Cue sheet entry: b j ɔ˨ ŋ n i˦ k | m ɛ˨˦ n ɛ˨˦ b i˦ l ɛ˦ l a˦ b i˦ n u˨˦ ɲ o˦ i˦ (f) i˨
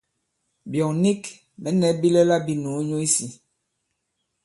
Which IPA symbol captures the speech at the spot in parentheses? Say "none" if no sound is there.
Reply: s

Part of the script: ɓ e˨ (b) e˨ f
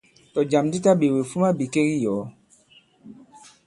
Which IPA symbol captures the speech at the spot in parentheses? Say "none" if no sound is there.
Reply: w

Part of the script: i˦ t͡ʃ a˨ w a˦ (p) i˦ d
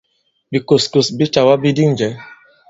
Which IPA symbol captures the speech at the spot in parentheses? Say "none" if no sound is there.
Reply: b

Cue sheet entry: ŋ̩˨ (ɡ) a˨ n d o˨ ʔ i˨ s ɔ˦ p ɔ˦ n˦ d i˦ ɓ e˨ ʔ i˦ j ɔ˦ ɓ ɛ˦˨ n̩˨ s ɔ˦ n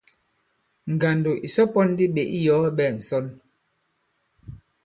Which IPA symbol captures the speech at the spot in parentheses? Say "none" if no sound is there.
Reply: ɡ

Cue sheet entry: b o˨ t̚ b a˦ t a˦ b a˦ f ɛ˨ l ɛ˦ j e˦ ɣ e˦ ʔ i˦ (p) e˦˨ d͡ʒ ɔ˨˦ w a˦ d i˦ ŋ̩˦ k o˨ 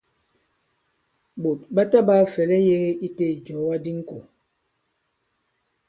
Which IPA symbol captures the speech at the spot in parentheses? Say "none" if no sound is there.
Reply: t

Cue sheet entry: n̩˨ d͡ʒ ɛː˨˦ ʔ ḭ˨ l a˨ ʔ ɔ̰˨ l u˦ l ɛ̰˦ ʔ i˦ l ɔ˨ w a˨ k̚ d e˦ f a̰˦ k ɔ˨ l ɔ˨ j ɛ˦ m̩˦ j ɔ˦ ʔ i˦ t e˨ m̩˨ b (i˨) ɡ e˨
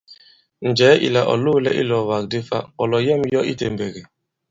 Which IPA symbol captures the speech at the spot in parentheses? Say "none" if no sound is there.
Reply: e˨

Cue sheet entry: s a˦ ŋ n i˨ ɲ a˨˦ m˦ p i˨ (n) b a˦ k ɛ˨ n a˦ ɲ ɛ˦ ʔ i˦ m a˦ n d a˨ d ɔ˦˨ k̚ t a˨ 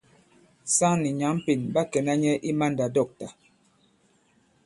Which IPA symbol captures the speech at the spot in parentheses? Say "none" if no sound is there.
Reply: n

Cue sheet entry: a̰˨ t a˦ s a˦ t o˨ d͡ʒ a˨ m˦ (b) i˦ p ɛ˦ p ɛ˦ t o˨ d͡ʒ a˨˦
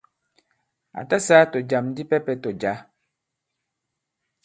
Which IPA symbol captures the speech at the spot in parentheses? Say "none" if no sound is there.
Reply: d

